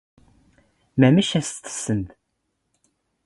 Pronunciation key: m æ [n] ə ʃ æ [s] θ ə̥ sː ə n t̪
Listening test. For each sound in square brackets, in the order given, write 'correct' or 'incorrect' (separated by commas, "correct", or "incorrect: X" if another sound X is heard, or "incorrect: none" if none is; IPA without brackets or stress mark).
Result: incorrect: m, correct